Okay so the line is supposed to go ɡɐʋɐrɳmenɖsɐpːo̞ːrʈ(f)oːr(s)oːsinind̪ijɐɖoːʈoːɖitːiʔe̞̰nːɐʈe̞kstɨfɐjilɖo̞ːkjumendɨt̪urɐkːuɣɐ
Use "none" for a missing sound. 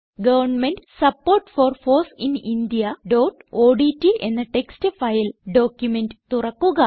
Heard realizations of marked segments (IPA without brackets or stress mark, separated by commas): f, f